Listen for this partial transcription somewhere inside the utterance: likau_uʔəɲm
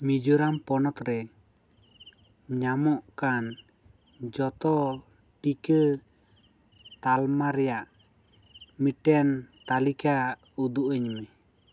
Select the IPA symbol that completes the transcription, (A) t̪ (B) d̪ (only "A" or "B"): B